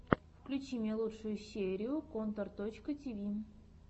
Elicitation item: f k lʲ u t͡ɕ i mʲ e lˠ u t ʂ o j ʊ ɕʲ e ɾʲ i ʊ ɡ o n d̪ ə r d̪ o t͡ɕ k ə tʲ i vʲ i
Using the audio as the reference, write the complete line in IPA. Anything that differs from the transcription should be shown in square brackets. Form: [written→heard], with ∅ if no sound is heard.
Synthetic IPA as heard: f k lʲ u t͡ɕ i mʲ e lˠ u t ʂ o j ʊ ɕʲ e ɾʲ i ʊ [ɡ→k] o n [d̪→t̪] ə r [d̪→t̪] o t͡ɕ k ə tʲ i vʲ i